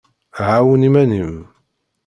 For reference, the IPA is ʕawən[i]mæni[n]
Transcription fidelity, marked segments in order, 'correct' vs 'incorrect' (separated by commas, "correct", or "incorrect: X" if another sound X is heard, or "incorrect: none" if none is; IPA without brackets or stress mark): correct, incorrect: m